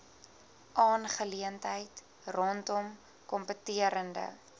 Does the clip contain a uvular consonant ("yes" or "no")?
yes